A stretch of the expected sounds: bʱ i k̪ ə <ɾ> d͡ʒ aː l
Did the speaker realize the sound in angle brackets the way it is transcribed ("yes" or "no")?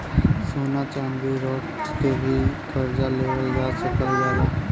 yes